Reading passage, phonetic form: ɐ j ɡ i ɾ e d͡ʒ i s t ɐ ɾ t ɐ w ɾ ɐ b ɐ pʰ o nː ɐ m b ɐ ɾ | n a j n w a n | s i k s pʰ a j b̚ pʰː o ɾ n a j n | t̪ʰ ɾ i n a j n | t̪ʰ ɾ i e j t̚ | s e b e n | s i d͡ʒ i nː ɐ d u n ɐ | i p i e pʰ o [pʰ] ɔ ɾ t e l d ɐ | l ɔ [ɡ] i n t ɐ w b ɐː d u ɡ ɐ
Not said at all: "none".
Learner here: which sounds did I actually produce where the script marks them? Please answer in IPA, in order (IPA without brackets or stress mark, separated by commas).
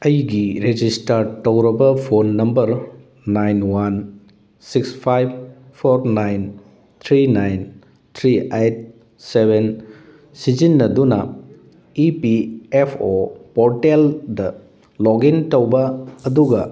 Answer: p, ɡ